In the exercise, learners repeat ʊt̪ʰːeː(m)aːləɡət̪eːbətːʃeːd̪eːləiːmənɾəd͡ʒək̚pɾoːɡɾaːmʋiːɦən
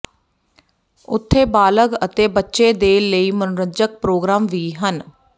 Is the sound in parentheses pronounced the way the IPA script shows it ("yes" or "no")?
no